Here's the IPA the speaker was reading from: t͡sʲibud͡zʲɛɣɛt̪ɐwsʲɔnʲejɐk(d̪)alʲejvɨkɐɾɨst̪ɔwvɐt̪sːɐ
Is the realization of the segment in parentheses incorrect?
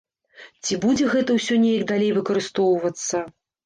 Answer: no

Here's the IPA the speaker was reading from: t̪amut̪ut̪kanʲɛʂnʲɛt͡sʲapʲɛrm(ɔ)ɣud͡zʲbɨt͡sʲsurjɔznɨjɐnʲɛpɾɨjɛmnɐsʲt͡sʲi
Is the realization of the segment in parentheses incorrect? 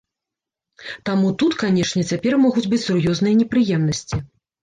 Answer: no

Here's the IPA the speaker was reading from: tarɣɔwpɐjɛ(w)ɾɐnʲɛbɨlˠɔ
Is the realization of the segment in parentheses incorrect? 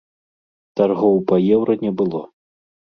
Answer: no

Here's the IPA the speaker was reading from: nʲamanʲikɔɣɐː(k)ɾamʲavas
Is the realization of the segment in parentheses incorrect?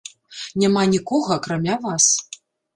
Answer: no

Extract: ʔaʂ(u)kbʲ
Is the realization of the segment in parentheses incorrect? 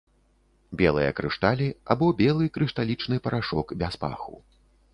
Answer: yes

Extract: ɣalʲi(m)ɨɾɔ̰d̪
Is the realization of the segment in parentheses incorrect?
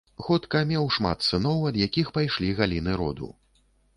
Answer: yes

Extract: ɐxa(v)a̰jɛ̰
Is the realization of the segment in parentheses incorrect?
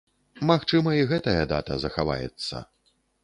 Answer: no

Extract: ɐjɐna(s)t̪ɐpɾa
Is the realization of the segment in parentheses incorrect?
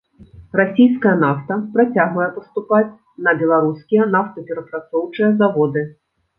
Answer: yes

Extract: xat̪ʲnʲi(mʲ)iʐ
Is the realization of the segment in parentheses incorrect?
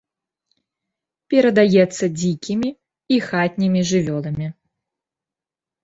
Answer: no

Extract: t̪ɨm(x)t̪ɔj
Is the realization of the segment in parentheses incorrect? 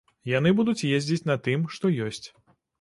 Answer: yes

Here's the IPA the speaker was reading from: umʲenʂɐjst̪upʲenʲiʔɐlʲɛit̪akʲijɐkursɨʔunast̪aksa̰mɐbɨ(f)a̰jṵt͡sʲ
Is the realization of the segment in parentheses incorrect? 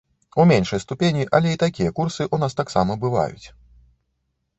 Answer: yes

